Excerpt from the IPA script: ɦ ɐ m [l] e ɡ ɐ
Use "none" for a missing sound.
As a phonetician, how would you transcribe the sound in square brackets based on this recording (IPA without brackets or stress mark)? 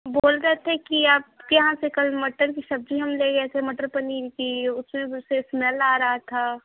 l